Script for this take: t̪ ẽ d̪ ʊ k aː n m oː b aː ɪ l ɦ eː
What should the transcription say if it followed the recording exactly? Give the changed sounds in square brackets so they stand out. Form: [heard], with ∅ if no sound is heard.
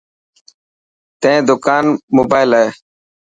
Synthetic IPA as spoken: t̪ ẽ d̪ ʊ k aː n m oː b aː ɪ l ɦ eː